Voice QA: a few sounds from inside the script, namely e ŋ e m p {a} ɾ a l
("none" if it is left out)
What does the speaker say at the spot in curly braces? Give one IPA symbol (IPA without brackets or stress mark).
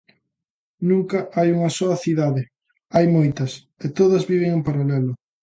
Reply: a